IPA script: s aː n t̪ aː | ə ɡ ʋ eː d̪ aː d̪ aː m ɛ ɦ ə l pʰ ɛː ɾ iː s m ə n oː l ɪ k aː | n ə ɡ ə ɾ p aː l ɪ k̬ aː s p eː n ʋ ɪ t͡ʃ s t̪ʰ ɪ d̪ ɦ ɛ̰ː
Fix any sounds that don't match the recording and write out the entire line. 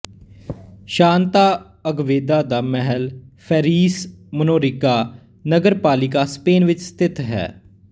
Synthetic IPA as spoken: ʃ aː n t̪ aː | ə ɡ ʋ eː d̪ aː d̪ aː m ɛ ɦ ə l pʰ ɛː ɾ iː s m ə n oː ɾ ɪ k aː | n ə ɡ ə ɾ p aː l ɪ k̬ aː s p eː n ʋ ɪ t͡ʃ s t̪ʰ ɪ t̪ ɦ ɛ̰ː